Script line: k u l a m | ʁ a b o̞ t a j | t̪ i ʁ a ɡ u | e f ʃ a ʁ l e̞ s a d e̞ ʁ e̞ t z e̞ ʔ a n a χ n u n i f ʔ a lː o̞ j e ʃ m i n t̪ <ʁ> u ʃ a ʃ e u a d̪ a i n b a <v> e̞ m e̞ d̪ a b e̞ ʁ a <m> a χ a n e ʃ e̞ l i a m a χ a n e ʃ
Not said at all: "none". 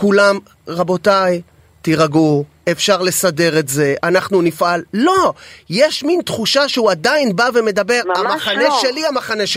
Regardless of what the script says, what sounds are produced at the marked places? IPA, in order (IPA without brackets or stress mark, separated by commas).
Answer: χ, v, m